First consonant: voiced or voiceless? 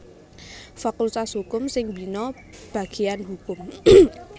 voiceless